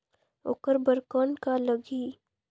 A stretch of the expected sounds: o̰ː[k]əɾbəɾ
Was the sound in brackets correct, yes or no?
yes